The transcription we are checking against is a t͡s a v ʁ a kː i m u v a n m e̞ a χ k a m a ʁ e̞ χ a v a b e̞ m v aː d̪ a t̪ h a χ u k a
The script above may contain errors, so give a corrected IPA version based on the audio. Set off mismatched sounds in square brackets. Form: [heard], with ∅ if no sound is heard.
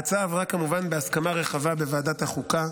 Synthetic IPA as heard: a t͡s a v ʁ a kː [a] m u v a n [b] e̞ a [s] k a m a ʁ e̞ χ a v a b e̞ [∅] v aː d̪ a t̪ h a χ u k a